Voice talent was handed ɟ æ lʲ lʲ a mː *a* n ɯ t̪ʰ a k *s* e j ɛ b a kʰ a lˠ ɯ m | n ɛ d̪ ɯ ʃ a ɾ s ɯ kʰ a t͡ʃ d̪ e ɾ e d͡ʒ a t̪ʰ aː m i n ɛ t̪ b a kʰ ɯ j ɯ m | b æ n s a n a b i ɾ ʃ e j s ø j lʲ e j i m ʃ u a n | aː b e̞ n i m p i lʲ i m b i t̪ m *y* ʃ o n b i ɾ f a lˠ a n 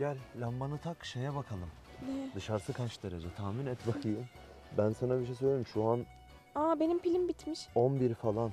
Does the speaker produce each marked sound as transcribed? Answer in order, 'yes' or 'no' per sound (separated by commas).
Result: yes, no, no